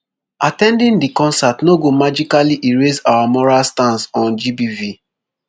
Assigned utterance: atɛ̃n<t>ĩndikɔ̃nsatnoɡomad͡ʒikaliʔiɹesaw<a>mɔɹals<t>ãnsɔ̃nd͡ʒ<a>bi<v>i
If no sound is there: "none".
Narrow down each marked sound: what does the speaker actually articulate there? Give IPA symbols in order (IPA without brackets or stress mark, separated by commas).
d, a, t, i, v